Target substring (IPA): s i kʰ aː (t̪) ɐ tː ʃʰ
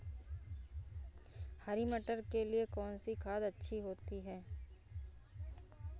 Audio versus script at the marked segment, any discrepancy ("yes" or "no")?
yes